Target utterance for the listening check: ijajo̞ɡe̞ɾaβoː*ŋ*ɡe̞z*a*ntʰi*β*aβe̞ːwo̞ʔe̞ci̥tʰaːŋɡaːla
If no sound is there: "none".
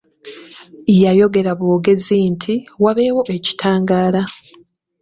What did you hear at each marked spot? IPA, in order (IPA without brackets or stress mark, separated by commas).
none, i, w